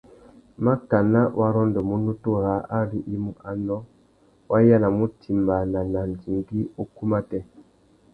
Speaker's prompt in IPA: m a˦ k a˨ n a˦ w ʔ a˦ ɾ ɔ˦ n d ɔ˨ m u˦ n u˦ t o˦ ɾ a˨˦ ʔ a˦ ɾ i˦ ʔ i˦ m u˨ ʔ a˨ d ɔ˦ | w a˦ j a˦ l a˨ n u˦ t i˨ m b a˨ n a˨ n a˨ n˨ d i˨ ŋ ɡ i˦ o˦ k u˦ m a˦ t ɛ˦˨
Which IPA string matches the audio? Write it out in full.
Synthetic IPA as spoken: m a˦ k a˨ n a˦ w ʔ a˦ ɾ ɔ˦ n d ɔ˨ m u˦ n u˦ t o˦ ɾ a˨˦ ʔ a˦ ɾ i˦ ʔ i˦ m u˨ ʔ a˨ n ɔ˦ | w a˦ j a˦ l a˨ m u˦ t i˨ m b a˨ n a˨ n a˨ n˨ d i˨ ŋ ɡ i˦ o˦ k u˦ m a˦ t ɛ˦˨